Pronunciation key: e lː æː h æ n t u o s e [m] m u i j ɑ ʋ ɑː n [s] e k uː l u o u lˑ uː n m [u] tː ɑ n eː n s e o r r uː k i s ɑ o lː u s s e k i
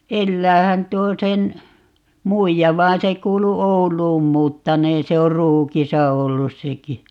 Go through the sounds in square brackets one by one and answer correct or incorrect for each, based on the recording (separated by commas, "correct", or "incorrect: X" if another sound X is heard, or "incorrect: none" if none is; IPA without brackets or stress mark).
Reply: incorrect: n, correct, incorrect: uː